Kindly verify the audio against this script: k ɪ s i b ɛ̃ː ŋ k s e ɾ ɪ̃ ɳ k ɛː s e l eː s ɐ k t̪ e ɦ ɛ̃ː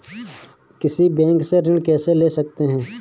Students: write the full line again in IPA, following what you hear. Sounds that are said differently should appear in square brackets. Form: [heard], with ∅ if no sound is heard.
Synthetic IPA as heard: k ɪ s i b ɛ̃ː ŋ k s e ɾ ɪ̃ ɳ k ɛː s e l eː s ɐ k t̪ e ɦ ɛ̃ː